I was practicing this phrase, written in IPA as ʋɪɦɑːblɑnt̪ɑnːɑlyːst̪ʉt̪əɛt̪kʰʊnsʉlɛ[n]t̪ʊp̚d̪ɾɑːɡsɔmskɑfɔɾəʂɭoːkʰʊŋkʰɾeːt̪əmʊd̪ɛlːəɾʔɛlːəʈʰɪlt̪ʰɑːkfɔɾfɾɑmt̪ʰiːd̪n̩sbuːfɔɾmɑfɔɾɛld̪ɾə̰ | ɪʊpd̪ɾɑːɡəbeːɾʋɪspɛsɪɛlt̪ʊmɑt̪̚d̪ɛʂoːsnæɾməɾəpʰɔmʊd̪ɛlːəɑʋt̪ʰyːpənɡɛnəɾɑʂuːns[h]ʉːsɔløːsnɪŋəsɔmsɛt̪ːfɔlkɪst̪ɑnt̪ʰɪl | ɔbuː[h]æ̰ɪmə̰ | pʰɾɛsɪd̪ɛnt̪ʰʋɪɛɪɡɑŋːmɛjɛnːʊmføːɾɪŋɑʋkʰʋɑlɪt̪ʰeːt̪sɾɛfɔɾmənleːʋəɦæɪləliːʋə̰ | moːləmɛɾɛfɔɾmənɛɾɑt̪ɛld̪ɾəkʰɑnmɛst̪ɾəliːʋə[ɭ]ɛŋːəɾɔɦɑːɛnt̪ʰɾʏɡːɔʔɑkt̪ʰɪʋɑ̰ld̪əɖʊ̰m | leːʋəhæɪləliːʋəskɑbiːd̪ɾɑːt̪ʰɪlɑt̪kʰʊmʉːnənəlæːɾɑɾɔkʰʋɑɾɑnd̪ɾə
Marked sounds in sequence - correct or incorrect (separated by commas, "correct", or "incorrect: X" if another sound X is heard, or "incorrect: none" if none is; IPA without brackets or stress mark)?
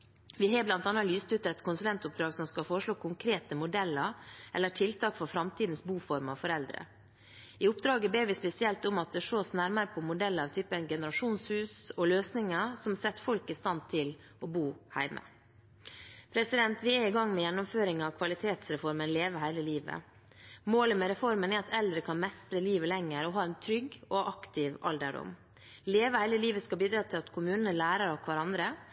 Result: correct, correct, correct, incorrect: l